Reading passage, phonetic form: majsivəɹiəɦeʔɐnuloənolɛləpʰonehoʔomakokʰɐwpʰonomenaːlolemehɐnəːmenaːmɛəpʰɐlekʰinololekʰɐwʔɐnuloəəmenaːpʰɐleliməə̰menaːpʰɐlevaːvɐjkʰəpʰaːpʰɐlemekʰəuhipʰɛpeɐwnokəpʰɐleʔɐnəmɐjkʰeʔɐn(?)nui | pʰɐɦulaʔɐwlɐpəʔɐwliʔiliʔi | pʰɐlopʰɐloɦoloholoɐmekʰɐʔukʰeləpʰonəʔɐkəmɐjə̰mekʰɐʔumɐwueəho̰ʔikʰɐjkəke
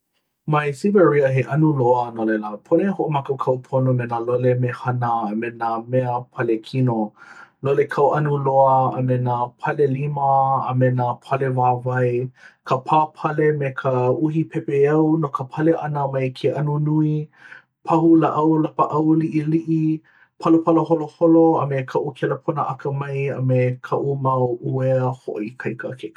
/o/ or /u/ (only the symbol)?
u